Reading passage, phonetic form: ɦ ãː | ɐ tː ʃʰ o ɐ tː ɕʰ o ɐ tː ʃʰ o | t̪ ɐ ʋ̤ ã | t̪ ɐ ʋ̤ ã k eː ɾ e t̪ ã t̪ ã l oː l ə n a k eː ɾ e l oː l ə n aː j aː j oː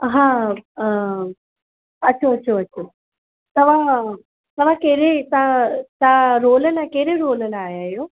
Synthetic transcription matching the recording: ɦ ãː | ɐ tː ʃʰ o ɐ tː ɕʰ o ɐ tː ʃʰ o | t̪ ɐ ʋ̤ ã | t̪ ɐ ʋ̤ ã k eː ɾ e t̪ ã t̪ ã ɾ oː l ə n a k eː ɾ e ɾ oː l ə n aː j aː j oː